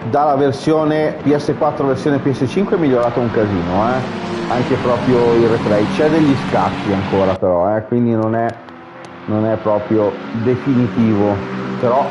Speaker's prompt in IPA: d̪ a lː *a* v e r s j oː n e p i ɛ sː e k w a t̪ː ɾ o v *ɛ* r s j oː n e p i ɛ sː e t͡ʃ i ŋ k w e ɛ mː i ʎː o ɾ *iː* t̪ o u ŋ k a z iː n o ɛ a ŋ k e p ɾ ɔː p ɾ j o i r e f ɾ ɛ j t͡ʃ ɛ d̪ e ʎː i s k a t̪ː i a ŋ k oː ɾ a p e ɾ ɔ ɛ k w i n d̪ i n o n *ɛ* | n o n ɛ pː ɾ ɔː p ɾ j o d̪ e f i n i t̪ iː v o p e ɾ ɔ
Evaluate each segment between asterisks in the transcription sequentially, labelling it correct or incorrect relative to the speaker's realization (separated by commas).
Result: correct, incorrect, incorrect, correct